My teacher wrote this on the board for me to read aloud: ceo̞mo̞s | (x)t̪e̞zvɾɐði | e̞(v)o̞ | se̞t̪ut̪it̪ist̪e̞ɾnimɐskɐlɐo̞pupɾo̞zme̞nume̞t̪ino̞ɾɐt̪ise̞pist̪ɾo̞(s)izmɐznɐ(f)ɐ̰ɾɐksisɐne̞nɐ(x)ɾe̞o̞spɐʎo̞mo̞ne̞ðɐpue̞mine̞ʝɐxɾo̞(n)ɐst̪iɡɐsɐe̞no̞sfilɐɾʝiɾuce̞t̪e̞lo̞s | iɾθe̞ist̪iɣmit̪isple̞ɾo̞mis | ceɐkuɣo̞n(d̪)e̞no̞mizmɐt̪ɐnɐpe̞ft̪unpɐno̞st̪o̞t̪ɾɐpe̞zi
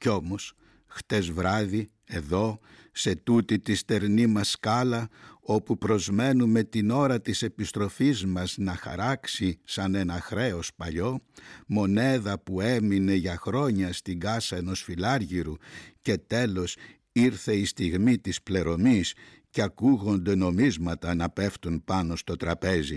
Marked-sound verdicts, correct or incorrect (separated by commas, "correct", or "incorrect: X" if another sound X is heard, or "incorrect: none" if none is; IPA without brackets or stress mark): correct, incorrect: ð, incorrect: f, incorrect: x, correct, incorrect: ɲ, correct